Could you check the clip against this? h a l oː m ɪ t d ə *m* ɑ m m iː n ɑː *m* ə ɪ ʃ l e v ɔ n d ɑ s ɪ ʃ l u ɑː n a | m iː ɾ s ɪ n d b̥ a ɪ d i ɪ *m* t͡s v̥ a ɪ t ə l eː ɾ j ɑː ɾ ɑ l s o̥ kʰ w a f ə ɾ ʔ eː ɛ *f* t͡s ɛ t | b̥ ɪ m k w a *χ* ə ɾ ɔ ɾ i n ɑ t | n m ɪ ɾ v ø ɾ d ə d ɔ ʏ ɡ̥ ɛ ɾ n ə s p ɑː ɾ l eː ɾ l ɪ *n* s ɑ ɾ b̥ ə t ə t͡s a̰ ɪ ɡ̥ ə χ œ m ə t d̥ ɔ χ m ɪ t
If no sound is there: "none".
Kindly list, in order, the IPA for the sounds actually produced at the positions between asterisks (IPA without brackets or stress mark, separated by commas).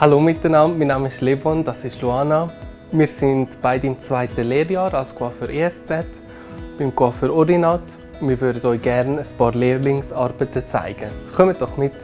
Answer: n, m, m, f, f, ŋ